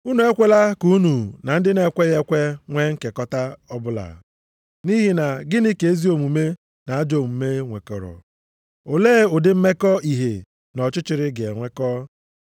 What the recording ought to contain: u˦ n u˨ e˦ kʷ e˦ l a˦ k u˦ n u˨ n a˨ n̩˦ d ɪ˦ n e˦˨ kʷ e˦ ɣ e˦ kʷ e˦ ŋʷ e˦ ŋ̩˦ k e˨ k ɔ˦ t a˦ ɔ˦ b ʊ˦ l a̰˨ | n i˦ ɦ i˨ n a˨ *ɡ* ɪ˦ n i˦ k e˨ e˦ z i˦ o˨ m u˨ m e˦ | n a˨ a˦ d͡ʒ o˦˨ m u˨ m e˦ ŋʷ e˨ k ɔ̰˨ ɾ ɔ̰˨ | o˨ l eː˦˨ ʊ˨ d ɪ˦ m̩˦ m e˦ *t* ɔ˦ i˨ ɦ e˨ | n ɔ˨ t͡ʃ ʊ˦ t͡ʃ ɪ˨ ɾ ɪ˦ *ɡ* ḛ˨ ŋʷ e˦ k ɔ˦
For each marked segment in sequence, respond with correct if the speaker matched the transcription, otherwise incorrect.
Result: correct, incorrect, correct

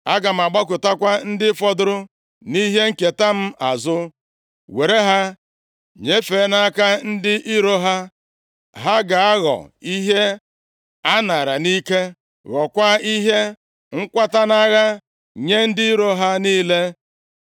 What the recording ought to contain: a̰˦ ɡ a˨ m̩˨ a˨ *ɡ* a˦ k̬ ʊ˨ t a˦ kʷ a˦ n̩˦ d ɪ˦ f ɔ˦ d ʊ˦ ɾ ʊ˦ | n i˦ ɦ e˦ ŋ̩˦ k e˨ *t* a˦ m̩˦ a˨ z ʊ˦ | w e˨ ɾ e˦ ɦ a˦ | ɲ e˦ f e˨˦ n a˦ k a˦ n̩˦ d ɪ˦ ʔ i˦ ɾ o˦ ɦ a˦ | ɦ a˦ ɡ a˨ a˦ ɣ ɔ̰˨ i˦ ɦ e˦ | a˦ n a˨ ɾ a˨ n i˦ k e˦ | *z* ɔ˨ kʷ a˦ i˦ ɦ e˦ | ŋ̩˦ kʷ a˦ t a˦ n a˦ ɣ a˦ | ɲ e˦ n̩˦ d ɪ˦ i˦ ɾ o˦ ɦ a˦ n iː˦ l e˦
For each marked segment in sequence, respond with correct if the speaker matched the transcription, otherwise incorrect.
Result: incorrect, correct, incorrect

